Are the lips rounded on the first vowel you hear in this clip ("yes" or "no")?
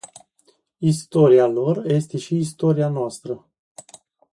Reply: no